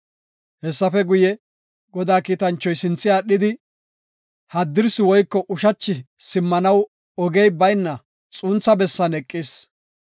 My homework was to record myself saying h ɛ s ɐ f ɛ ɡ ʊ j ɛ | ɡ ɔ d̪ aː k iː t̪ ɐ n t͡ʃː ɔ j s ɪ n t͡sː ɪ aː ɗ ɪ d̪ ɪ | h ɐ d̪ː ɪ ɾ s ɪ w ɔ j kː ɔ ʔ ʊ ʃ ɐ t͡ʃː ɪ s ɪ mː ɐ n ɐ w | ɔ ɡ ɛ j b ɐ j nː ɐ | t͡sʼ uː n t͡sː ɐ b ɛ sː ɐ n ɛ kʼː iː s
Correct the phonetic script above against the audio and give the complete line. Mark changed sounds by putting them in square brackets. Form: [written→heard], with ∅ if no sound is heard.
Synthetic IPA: h ɛ [s→sː] ɐ f ɛ ɡ ʊ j ɛ | ɡ ɔ d̪ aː k iː t̪ ɐ n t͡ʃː ɔ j s ɪ n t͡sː ɪ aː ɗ ɪ d̪ ɪ | h ɐ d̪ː ɪ ɾ s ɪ w ɔ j kː ɔ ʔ ʊ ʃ ɐ t͡ʃː ɪ s ɪ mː ɐ n ɐ w | ɔ ɡ ɛ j b ɐ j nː ɐ | t͡sʼ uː n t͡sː ɐ b ɛ sː ɐ n ɛ kʼː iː s